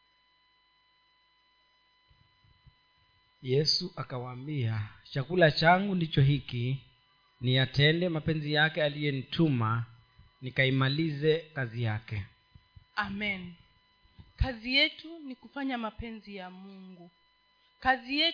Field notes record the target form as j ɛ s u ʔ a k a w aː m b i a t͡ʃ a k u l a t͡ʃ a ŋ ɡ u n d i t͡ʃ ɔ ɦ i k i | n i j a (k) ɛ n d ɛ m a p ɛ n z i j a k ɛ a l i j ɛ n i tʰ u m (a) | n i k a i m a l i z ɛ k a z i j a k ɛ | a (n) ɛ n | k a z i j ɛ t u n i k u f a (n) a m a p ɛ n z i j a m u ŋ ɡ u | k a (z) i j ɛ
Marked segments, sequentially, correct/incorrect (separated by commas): incorrect, correct, incorrect, incorrect, correct